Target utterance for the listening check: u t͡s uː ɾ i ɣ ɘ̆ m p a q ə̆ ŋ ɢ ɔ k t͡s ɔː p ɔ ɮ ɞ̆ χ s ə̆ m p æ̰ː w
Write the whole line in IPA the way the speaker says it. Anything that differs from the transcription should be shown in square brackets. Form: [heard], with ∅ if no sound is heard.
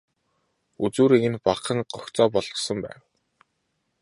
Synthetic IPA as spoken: u t͡s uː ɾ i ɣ ɘ̆ [n] p a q ə̆ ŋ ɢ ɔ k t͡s ɔː p ɔ ɮ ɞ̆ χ s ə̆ m p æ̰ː w